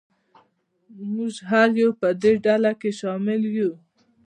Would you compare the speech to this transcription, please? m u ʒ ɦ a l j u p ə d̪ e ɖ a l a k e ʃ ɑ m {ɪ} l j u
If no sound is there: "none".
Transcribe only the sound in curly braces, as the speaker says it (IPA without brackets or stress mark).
ɪ